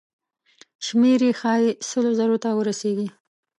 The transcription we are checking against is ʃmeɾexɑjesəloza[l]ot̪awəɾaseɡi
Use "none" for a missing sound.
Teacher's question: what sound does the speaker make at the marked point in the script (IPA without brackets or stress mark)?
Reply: ɾ